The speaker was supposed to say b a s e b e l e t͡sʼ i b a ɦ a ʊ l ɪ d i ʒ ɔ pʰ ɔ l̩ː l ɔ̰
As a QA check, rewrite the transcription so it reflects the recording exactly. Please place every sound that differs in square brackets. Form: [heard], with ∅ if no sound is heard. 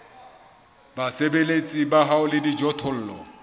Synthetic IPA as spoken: b a s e b e l e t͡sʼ i b a ɦ a ʊ l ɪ d i [d͡ʒ] ɔ [tʰ] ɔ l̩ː l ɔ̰